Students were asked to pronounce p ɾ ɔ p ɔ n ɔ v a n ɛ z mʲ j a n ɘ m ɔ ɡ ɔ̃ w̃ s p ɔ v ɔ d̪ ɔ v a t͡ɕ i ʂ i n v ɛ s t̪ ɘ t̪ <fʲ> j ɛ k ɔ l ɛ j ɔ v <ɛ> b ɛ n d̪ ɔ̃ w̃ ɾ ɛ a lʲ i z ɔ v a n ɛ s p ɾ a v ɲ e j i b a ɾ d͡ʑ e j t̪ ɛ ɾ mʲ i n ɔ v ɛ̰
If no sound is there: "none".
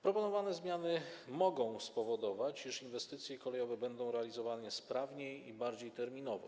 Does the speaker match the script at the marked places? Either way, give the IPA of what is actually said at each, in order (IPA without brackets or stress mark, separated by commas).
sʲ, ɛ